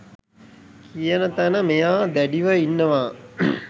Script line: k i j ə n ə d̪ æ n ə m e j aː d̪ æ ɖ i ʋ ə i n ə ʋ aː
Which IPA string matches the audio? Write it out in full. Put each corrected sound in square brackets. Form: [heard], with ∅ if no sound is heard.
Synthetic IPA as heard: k i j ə n ə [t̪] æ n ə m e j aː d̪ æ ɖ i ʋ ə i [nː] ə ʋ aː